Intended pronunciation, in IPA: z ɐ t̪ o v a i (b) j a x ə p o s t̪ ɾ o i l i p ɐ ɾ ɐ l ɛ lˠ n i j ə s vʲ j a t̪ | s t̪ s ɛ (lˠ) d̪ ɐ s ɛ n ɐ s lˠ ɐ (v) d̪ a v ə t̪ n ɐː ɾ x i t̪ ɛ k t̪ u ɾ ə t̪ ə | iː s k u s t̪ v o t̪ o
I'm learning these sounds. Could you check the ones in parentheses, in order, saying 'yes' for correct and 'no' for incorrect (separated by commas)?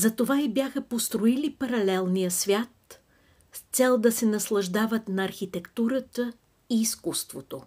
yes, yes, no